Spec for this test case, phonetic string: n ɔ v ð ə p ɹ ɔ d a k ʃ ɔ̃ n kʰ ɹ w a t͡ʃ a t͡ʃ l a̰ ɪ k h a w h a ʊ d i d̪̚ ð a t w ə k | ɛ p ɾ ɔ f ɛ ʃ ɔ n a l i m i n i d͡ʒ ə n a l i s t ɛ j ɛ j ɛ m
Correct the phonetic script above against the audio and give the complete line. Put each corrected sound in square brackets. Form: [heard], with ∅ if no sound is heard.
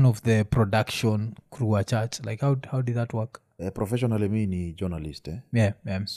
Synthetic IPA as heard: n ɔ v ð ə p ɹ ɔ d a k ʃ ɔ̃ n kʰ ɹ [u] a t͡ʃ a t͡ʃ l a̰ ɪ k h a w h a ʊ d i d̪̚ ð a t w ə k | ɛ p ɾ ɔ f ɛ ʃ ɔ n a l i m i n i d͡ʒ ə n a l i s t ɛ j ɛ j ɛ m